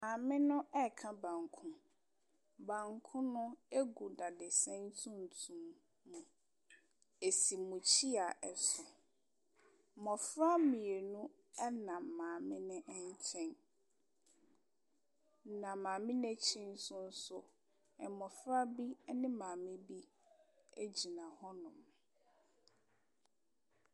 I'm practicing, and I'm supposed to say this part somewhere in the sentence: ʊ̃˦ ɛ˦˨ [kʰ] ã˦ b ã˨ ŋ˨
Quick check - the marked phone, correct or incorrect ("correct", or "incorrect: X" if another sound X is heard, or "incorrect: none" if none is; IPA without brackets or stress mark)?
correct